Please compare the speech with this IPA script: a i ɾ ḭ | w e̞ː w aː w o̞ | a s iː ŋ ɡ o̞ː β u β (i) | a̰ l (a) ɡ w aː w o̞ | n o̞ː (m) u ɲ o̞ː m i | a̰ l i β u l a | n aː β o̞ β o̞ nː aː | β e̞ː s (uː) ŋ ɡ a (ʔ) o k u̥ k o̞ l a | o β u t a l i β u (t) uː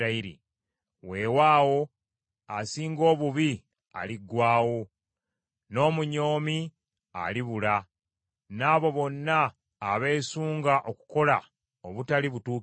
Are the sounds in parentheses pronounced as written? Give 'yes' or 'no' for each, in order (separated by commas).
yes, no, yes, yes, yes, yes